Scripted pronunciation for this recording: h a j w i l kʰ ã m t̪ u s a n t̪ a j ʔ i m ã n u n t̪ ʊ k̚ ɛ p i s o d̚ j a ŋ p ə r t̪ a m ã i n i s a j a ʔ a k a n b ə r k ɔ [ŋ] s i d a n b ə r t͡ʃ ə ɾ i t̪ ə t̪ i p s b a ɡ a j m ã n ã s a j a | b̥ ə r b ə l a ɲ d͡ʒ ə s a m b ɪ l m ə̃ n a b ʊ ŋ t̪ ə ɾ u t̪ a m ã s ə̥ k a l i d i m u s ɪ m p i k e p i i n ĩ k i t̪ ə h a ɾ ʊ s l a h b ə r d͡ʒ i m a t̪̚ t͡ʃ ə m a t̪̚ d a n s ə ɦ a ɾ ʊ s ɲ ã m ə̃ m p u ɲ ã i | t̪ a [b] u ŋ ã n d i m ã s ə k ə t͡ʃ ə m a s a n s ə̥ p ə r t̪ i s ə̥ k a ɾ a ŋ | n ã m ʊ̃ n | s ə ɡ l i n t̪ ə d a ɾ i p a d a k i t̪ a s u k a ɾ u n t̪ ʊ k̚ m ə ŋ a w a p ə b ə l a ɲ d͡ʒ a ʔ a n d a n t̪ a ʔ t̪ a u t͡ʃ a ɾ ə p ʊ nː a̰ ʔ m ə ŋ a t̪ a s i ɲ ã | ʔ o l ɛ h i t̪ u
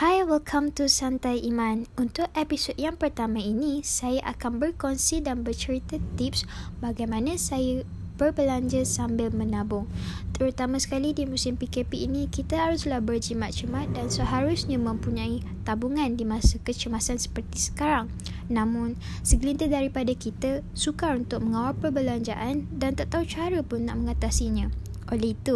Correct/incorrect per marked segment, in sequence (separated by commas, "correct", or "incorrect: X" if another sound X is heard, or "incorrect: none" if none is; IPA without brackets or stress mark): incorrect: n, correct